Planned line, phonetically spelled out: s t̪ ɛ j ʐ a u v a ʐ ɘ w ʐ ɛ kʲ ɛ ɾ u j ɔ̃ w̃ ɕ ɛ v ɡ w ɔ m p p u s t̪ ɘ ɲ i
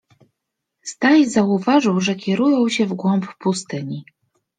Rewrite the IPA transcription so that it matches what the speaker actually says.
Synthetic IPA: s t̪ a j z a u v a ʐ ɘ w ʐ ɛ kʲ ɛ ɾ u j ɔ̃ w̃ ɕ ɛ v ɡ w ɔ m p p u s t̪ ɘ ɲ i

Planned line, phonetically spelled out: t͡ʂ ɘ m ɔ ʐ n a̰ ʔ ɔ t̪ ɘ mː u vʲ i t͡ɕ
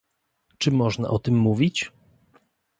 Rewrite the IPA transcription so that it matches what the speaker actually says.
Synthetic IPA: t͡ʂ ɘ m ɔ ʐ n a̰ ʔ ɔ t̪ ɘ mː u vʲ i t͡ɕ

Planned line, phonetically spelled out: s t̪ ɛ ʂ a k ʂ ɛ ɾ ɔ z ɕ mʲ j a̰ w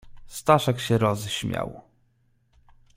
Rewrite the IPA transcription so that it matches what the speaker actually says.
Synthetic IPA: s t̪ a ʂ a k ɕ ɛ ɾ ɔ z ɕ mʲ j a̰ w

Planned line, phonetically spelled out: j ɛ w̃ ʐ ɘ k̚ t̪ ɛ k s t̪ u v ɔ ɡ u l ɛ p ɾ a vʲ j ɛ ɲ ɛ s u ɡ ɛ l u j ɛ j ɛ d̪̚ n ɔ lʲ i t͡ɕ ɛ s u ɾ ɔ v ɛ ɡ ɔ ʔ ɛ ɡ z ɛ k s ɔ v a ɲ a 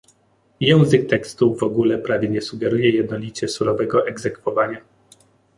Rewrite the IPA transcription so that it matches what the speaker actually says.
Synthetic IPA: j ɛ w̃ z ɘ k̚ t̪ ɛ k s t̪ u v ɔ ɡ u l ɛ p ɾ a vʲ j ɛ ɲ ɛ s u ɡ ɛ ɾ u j ɛ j ɛ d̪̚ n ɔ lʲ i t͡ɕ ɛ s u ɾ ɔ v ɛ ɡ ɔ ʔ ɛ ɡ z ɛ k f ɔ v a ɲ a

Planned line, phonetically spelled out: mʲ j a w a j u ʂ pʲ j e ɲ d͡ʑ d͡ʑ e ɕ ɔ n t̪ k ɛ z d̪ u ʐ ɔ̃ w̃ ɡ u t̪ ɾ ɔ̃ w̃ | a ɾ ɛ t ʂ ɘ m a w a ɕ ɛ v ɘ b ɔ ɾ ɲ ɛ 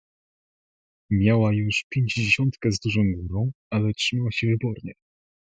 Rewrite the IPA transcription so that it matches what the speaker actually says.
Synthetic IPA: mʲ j a w a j u ʂ pʲ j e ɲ d͡ʑ d͡ʑ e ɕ ɔ n t̪ k ɛ z d̪ u ʐ ɔ̃ w̃ ɡ u ɾ ɔ̃ w̃ | a l ɛ t ʂ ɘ m a w a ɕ ɛ v ɘ b ɔ ɾ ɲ ɛ

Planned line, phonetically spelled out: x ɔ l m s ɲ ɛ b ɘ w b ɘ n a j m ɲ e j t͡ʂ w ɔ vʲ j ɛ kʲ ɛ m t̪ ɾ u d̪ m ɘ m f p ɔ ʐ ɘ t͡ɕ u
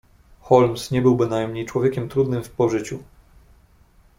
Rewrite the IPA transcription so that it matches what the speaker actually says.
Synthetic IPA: x ɔ l m s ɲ ɛ b ɘ w b ɘ n a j m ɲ e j t͡ʂ w ɔ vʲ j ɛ kʲ ɛ m t̪ ɾ u d̪ n ɘ m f p ɔ ʐ ɘ t͡ɕ u

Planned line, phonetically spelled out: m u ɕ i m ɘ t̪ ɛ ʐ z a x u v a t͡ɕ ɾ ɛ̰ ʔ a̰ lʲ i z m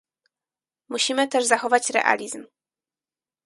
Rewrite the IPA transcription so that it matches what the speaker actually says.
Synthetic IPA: m u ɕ i m ɘ t̪ ɛ ʐ z a x ɔ v a t͡ɕ ɾ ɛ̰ ʔ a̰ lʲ i z m

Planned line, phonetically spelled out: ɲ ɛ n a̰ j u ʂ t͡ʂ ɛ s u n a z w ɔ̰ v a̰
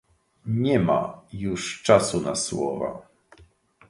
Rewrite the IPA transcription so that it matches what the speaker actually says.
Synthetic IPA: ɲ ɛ m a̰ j u ʂ t͡ʂ a s u n a s w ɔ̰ v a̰

